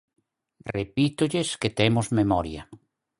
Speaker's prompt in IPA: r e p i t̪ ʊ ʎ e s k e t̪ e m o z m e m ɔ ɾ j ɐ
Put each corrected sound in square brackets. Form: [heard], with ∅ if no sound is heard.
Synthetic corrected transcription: r e p i t̪ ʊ ʎ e s k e t̪ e m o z m e m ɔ ɾ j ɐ

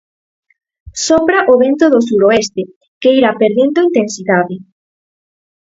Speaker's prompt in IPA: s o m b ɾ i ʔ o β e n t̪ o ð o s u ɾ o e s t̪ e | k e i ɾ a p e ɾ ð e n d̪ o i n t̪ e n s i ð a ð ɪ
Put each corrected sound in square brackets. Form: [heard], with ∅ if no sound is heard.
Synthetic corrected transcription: s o m b ɾ [a] ʔ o β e n t̪ o ð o s u ɾ o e s t̪ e | k e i ɾ a p e ɾ ð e n d̪ o i n t̪ e n s i ð a ð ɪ

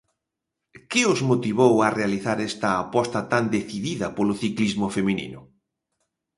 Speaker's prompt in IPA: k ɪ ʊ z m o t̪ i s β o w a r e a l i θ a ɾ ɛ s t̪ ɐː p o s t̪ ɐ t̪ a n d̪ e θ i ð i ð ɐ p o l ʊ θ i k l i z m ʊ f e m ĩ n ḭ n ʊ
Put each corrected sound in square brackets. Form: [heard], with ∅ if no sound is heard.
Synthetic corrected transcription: k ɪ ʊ z m o t̪ i [∅] β o w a r e a l i θ a ɾ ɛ s t̪ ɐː p [ɔ] s t̪ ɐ t̪ a n d̪ e θ i ð i ð ɐ p o l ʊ θ i k l i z m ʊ f e m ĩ n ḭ n ʊ

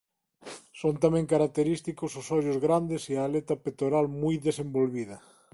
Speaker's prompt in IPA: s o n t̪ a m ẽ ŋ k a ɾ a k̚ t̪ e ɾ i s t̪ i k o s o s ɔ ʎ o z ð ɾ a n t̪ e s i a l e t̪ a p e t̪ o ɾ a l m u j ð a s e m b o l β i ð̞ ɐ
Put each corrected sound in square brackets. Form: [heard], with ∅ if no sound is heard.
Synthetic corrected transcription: s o n t̪ a m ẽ ŋ k a ɾ a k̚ t̪ e ɾ i s t̪ i k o s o s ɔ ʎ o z [ɣ] ɾ a n [d̪] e s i a l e t̪ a p e t̪ o ɾ a l m u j ð [e] s e m b o l β i ð̞ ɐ

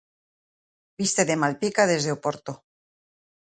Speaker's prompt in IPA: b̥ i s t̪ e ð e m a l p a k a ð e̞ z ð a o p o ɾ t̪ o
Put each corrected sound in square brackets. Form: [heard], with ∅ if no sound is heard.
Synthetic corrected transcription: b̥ i s t̪ e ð e m a l p [i] k a ð e̞ z ð [e] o p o ɾ t̪ o

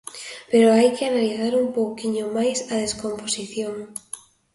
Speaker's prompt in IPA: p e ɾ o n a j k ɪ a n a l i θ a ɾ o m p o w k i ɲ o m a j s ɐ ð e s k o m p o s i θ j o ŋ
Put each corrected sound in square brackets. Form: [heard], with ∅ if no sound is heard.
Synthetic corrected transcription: p e ɾ o [∅] a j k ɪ a n a l i θ a ɾ [u] m p o w k i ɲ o m a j s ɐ ð e s k o m p o s i θ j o ŋ

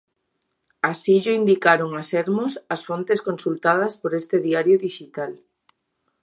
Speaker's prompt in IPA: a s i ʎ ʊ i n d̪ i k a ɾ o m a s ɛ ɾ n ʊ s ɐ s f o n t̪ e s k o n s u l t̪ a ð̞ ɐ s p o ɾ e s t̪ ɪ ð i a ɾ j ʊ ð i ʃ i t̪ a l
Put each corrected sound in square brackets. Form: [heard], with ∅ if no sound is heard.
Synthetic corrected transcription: a s i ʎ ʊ i n d̪ i k a ɾ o [ŋ] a s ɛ ɾ [m] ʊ s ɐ s f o n t̪ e s k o n s u l t̪ a ð̞ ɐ s p o ɾ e s t̪ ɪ ð i a ɾ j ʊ ð i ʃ i t̪ a l

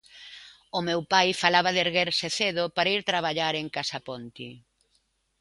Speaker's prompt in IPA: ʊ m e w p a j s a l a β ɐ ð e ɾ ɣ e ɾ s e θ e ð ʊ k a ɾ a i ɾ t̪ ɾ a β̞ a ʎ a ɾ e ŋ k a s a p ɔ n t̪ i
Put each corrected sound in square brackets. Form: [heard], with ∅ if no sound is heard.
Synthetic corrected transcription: ʊ m e w p a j [f] a l a β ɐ ð e ɾ ɣ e ɾ s e θ e ð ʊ [p] a ɾ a i ɾ t̪ ɾ a β̞ a ʎ a ɾ e ŋ k a s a p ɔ n t̪ i

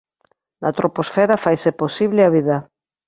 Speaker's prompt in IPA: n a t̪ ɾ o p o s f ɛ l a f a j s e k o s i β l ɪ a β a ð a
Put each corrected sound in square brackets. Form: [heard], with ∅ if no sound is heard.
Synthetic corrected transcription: n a t̪ ɾ o p o s f ɛ [ɾ] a f a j s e [p] o s i β l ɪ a β [i] ð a

